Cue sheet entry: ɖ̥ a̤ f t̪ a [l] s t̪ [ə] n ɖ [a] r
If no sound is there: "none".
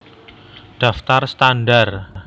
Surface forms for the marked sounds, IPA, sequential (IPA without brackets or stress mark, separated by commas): r, a, a